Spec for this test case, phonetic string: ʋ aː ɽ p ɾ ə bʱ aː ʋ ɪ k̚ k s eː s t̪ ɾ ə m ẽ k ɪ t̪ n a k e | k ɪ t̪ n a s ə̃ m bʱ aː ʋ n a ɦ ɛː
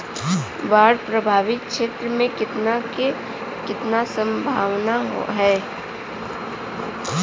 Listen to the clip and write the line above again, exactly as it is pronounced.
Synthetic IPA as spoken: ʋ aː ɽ p ɾ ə bʱ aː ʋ ɪ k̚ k ʃ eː t̪ ɾ ə m ẽ k ɪ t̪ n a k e | k ɪ t̪ n a s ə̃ m bʱ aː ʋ n a ɦ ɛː